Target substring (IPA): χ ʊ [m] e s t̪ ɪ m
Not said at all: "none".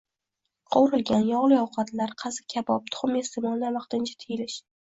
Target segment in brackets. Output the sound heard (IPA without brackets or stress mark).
m